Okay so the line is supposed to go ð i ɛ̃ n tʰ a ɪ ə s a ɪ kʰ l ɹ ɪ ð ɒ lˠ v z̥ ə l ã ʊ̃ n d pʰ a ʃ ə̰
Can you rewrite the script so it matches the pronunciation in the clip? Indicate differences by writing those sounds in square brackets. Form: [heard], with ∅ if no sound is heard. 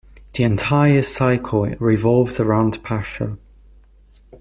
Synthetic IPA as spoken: ð i ɛ̃ n tʰ a ɪ ə s a ɪ kʰ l ɹ ɪ [v] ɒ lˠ v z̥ ə [ɹ] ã ʊ̃ n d pʰ a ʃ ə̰